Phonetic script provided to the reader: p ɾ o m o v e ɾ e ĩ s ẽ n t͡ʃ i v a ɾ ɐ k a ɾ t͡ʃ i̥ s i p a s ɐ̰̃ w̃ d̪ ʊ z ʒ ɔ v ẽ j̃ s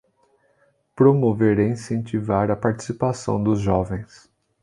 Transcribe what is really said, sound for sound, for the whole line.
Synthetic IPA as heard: p ɾ o m o v e ɾ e ĩ s ẽ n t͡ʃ i v a ɾ ɐ p a ɾ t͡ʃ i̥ s i p a s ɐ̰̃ w̃ d̪ ʊ z ʒ ɔ v ẽ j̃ s